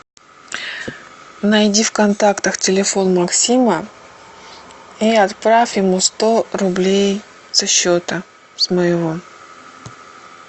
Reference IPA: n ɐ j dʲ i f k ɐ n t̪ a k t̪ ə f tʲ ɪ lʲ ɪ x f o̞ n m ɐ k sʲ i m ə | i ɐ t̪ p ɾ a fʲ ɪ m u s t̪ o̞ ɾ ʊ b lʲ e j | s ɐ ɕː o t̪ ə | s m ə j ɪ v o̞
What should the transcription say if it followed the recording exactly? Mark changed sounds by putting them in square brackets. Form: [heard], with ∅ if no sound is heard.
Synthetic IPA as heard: n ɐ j dʲ i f k ɐ n t̪ a k t̪ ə [x] tʲ ɪ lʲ ɪ [∅] f o̞ n m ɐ k sʲ i m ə | i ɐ t̪ p ɾ a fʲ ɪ m u s t̪ o̞ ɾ ʊ b lʲ e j | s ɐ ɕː o t̪ ə | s m ə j ɪ v o̞

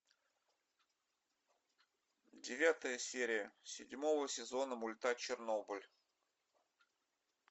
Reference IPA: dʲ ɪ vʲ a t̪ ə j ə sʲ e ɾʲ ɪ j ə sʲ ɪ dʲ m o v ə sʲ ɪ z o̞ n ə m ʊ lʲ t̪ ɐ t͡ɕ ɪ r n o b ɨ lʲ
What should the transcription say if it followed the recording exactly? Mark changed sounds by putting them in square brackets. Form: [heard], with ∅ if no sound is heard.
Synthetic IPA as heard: dʲ ɪ vʲ a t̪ ə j ə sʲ e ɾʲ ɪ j ə sʲ ɪ dʲ m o v ə sʲ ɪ z o̞ n ə m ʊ lʲ t̪ [a] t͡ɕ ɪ r n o b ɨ lʲ

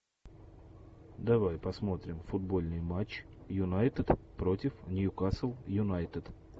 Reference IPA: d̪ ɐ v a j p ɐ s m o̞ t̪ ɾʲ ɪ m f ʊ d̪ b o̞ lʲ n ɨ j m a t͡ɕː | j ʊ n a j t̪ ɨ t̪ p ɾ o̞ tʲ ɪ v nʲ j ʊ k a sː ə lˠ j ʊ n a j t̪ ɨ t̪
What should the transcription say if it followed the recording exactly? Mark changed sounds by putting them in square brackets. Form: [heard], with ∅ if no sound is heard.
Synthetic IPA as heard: d̪ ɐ v a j p ɐ s m o̞ t̪ ɾʲ ɪ m f ʊ d̪ b o̞ lʲ n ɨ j m a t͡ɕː | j ʊ n a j t̪ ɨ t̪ p ɾ o̞ tʲ ɪ [f] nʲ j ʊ k a [s] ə lˠ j ʊ n a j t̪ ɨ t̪

